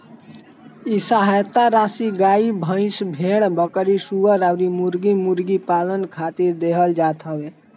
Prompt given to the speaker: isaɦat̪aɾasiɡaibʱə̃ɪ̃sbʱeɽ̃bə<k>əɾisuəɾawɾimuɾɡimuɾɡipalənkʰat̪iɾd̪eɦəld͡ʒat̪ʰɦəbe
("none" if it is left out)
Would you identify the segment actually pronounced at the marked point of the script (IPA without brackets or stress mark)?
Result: k